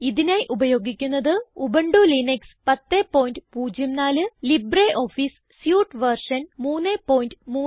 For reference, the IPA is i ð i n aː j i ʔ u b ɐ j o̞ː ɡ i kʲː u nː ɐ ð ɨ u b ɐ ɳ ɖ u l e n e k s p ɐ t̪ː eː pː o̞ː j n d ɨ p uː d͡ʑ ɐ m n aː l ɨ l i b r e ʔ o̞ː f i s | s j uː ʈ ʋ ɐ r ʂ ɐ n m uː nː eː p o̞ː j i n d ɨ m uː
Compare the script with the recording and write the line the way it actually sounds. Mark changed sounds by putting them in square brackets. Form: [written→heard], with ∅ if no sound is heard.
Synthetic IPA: i ð i n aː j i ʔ u b ɐ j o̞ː ɡ i kʲː u nː ɐ ð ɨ u b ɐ ɳ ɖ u l [e→i] n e k s p ɐ t̪ː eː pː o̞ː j n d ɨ p uː d͡ʑ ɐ m n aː l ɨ l i b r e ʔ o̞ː f i s | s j uː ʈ ʋ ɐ r ʂ ɐ n m uː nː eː p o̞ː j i n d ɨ m uː